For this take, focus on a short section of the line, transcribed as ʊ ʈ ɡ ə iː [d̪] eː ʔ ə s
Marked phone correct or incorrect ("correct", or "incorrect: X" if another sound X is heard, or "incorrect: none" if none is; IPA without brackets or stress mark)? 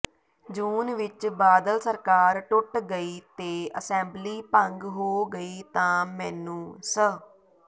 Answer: incorrect: t̪